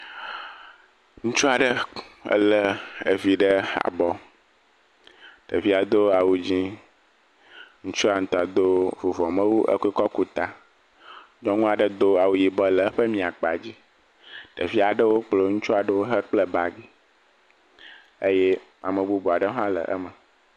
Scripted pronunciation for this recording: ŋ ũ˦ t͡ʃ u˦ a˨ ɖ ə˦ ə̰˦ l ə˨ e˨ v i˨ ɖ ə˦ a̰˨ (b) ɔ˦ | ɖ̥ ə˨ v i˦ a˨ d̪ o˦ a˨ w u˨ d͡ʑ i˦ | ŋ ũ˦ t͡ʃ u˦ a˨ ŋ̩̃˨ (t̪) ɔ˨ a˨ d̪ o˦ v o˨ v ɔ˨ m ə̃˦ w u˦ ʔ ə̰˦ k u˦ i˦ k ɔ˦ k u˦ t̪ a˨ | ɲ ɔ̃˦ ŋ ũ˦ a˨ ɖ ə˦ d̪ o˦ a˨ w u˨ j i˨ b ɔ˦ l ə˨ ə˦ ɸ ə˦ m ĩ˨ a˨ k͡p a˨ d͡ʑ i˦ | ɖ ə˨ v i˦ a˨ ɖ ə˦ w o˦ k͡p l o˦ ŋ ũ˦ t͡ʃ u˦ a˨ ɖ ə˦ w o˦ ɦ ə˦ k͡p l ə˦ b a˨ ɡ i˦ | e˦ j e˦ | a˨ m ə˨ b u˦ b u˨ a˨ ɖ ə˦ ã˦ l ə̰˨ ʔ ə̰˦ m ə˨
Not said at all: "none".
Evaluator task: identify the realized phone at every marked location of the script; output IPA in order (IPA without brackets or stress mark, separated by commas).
b, t̪